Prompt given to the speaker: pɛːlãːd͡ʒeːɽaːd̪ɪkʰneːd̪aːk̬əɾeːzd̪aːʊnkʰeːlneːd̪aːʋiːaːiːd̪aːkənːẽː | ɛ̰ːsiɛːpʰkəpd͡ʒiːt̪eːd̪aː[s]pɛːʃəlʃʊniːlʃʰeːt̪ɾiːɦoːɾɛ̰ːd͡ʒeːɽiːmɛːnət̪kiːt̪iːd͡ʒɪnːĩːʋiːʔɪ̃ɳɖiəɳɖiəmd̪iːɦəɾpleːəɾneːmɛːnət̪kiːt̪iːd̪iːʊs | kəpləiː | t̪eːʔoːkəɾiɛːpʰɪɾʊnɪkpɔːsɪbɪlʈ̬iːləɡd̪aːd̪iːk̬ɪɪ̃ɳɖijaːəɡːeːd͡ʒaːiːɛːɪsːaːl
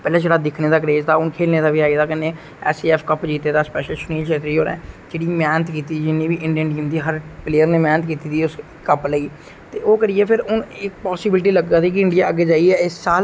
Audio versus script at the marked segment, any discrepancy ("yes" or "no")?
no